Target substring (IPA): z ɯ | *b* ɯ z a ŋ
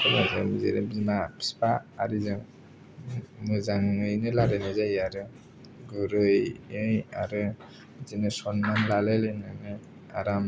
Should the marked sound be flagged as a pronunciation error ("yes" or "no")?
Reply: yes